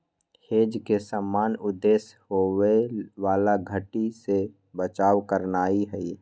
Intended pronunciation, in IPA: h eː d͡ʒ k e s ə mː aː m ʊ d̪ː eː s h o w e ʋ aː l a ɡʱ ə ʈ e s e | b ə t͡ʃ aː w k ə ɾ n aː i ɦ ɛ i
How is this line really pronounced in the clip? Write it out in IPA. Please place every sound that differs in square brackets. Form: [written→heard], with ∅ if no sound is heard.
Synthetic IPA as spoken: h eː d͡ʒ k e s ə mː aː [m→n] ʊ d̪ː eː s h o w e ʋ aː l a ɡʱ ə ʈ [e→i] s e | b ə t͡ʃ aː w k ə ɾ n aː i ɦ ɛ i